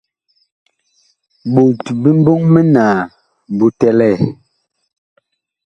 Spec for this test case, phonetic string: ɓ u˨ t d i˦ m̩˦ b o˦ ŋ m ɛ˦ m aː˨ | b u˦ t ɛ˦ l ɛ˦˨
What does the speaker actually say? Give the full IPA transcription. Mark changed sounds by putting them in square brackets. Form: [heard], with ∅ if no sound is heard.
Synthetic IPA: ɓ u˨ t [b] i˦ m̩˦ b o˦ ŋ m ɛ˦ [n] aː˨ | b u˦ t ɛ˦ l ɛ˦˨